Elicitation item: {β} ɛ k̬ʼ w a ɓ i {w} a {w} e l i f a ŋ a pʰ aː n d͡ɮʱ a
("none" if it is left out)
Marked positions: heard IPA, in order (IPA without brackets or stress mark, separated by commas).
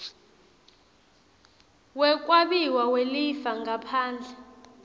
w, w, w